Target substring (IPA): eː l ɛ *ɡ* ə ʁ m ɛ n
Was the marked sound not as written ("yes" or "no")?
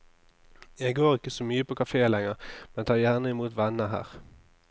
yes